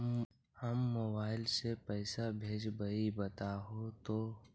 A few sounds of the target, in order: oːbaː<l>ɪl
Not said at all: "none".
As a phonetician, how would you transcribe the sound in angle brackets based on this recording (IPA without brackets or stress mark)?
none